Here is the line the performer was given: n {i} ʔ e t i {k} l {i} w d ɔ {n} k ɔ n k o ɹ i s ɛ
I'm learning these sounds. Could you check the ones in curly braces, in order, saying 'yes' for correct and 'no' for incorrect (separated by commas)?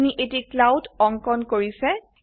yes, yes, no, no